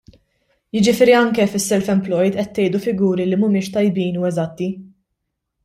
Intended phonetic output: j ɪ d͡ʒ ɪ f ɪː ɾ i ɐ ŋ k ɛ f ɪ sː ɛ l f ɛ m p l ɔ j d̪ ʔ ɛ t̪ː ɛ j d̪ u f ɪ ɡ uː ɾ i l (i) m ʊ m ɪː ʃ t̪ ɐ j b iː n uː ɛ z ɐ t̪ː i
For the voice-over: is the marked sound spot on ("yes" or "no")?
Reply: yes